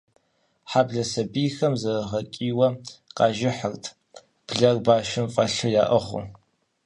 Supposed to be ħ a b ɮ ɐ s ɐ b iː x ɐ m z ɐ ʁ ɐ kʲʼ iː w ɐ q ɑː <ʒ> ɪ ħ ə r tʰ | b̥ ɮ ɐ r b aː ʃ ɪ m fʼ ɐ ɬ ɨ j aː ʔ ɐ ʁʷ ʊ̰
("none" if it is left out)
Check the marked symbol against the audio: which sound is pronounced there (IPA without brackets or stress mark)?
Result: ʒ